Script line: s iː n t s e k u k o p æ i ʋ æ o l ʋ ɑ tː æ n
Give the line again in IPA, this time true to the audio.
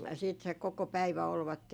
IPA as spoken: s iː t s e k o k o p æ i ʋ æ o l ʋ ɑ tː e n